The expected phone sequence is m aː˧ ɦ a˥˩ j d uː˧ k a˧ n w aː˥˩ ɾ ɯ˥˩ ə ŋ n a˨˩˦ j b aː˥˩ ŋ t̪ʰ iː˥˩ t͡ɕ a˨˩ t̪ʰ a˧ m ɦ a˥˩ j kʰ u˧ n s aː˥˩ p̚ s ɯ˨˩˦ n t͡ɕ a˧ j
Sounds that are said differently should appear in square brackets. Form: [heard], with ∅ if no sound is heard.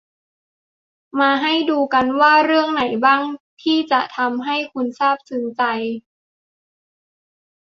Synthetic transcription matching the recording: m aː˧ ɦ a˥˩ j d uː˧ k a˧ n w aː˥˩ ɾ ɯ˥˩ ə ŋ n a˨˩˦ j b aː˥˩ ŋ t̪ʰ iː˥˩ t͡ɕ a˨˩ t̪ʰ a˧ m ɦ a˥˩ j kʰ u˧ n s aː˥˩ p̚ s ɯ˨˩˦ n t͡ɕ a˧ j